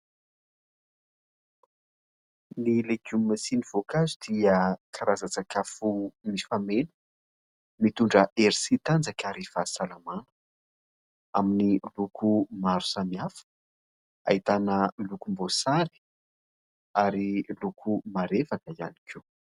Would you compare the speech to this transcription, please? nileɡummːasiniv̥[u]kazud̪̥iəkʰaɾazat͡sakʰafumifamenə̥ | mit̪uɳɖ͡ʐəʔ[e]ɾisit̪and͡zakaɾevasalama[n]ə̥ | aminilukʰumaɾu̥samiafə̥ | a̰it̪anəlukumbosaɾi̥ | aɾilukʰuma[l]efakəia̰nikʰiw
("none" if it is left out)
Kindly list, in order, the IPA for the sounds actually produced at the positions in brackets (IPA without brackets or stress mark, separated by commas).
o, e, n, ɾ